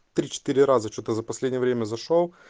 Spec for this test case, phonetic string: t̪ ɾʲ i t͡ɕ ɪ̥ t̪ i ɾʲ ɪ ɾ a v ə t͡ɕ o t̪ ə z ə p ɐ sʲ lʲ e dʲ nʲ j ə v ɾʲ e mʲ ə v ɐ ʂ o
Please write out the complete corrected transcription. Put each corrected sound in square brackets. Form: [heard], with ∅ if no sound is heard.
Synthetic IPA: t̪ ɾʲ i t͡ɕ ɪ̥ t̪ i ɾʲ ɪ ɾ a [z] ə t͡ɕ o t̪ ə z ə p ɐ sʲ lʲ e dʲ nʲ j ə v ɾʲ e mʲ ə [z] ɐ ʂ o